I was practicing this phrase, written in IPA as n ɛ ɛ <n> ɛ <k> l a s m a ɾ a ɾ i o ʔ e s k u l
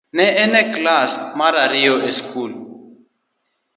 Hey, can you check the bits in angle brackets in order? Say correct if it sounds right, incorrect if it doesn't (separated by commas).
correct, correct